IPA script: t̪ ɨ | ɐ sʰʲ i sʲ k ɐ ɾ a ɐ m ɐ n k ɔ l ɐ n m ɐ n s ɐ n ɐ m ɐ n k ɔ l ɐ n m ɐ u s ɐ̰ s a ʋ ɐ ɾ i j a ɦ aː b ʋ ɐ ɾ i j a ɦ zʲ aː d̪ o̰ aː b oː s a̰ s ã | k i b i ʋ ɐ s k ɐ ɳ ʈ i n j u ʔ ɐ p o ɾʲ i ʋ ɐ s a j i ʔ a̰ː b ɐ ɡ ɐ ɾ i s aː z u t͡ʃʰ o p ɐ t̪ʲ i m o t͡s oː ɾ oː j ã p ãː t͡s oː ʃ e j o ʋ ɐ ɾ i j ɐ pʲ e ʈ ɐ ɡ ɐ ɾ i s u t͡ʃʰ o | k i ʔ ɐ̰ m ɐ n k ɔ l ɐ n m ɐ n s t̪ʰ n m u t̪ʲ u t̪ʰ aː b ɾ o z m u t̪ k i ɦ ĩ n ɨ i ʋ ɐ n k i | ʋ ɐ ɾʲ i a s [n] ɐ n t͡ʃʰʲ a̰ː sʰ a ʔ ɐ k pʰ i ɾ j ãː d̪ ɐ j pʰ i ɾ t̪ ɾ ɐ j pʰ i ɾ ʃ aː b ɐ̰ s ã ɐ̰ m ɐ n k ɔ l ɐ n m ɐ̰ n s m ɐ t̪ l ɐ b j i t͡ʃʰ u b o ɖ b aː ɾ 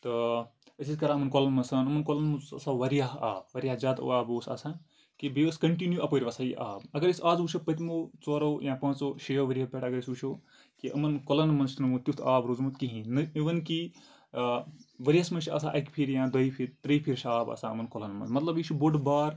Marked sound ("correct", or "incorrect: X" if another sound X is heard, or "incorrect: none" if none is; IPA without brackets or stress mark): incorrect: m